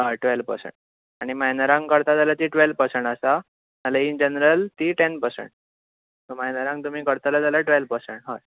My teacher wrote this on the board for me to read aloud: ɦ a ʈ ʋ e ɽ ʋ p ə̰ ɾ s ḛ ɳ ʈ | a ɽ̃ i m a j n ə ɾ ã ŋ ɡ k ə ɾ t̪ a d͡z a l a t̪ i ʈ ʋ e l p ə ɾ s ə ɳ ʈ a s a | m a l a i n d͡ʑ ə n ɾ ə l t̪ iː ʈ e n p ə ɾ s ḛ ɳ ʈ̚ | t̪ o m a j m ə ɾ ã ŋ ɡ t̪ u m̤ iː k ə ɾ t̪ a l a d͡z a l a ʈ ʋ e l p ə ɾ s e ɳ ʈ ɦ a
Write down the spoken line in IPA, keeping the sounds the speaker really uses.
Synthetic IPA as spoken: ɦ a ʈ ʋ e l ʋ p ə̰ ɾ s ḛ ɳ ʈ | a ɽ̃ i m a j n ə ɾ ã ŋ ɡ k ə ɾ t̪ a d͡z a l a t̪ i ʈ ʋ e l p ə ɾ s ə ɳ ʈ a s a | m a l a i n d͡ʑ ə n ɾ ə l t̪ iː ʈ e n p ə ɾ s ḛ ɳ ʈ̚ | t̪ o m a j n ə ɾ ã ŋ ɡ t̪ u m̤ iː k ə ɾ t̪ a l a d͡z a l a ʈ ʋ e l p ə ɾ s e ɳ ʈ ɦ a